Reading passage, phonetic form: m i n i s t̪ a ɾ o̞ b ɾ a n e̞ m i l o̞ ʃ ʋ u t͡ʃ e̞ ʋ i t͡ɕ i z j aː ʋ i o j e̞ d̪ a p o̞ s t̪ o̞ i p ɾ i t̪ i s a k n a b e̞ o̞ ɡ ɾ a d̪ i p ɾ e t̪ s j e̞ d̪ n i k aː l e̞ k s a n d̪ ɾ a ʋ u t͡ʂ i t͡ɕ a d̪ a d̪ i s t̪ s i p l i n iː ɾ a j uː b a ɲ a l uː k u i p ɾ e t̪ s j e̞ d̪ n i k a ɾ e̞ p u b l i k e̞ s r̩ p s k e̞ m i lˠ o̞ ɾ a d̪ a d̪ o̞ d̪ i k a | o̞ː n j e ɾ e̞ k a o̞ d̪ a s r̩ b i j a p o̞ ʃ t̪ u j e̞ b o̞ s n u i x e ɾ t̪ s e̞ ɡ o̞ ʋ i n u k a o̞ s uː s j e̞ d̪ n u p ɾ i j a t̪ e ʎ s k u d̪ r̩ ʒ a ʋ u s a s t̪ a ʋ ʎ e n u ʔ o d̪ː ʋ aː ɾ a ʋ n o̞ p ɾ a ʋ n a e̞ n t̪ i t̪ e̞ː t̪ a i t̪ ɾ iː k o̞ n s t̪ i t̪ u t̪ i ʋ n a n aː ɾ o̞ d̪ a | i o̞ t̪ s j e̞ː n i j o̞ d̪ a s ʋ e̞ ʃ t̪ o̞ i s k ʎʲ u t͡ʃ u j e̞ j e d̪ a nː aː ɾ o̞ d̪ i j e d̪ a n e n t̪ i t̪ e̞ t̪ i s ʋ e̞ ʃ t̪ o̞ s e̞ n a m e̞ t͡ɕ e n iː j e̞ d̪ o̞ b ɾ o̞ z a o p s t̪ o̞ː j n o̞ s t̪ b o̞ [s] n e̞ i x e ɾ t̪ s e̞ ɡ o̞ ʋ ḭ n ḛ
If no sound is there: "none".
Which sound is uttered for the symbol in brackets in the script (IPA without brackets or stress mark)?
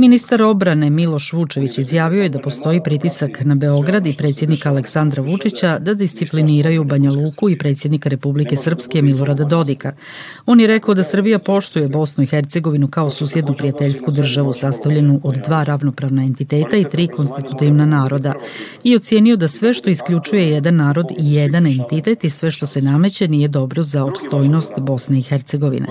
s